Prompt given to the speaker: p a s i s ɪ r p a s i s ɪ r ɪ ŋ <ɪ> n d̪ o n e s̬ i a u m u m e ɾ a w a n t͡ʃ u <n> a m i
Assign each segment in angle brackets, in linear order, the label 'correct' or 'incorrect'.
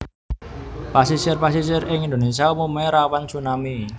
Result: incorrect, correct

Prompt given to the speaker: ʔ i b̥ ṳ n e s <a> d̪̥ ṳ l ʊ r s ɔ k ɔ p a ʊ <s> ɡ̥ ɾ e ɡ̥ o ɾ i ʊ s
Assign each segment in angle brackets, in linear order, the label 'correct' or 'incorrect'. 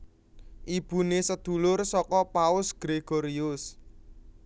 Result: incorrect, correct

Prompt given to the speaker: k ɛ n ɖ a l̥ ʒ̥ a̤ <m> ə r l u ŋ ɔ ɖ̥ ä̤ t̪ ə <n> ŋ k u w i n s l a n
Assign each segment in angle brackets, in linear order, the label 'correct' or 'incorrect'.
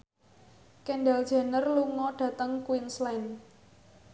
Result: incorrect, incorrect

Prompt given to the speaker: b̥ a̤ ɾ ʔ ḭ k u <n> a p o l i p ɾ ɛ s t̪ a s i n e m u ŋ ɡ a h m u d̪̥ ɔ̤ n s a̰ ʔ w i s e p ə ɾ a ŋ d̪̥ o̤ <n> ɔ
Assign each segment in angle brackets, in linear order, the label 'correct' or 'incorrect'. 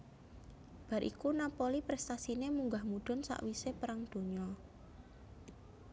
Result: correct, incorrect

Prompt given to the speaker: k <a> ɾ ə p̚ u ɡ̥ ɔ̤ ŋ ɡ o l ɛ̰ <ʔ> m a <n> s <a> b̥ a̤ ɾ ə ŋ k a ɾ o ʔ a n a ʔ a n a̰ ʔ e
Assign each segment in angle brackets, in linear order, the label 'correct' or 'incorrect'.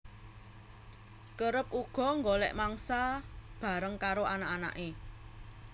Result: incorrect, correct, incorrect, correct

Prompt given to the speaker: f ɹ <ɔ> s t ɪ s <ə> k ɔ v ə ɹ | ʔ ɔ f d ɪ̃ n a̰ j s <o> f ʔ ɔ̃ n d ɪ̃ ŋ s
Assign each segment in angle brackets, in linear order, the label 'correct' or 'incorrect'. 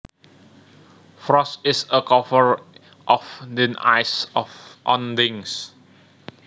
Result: correct, correct, incorrect

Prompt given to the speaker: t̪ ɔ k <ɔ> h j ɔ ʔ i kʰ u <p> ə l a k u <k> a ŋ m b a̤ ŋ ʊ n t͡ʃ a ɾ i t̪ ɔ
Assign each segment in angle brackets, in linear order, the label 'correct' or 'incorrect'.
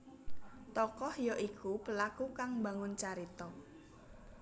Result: correct, correct, correct

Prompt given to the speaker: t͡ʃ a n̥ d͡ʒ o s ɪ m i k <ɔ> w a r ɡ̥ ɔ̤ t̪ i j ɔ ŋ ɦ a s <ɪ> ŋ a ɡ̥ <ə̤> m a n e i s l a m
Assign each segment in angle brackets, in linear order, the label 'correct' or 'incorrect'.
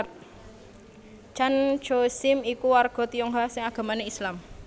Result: incorrect, correct, incorrect

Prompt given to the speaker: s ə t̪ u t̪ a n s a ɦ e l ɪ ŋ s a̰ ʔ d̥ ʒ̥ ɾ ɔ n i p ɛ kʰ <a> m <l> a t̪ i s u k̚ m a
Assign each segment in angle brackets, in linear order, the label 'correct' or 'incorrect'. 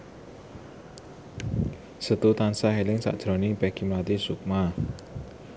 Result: incorrect, correct

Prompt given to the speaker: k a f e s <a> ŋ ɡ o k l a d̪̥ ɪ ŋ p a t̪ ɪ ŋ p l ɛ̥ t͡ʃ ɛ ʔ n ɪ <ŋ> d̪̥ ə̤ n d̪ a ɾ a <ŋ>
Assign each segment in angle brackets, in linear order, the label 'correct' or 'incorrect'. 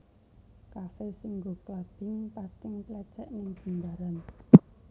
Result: incorrect, correct, incorrect

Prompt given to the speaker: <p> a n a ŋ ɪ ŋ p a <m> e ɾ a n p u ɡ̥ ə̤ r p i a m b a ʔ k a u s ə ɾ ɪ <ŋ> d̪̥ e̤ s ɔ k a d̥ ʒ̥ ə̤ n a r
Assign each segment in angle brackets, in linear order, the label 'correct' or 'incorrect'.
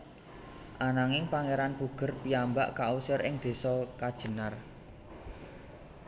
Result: incorrect, incorrect, correct

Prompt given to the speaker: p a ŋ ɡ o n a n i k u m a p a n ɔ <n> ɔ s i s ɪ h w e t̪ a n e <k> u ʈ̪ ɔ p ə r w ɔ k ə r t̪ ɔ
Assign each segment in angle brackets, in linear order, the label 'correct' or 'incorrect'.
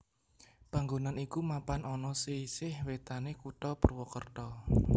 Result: correct, correct

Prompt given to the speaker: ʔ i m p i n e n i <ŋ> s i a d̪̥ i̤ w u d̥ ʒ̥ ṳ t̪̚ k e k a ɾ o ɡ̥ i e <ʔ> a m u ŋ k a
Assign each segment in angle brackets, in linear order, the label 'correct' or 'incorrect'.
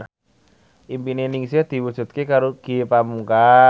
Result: correct, incorrect

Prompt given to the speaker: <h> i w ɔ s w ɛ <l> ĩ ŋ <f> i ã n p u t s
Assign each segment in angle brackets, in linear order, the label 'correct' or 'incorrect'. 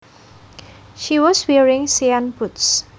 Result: incorrect, incorrect, incorrect

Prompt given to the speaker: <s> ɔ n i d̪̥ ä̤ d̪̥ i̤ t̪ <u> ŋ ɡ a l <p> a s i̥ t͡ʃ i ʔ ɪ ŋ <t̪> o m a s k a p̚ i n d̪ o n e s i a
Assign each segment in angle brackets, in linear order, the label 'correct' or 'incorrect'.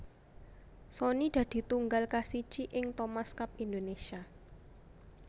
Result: correct, correct, incorrect, correct

